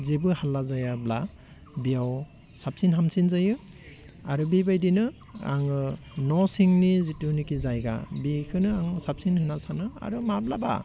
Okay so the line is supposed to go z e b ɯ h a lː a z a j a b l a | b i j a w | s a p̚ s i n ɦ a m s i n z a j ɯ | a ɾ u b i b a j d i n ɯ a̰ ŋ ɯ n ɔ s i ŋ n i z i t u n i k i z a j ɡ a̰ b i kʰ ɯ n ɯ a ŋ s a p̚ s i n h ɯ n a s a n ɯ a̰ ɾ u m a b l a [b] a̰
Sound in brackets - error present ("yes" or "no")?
no